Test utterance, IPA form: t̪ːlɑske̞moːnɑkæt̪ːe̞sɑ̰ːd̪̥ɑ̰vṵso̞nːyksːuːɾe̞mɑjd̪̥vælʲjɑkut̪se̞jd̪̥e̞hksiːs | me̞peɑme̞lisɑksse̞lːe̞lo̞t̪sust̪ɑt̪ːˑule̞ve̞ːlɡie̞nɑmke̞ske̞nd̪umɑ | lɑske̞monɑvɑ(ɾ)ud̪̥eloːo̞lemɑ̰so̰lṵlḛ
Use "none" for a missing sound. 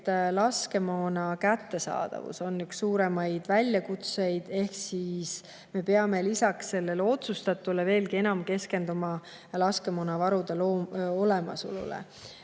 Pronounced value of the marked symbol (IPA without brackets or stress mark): ɾ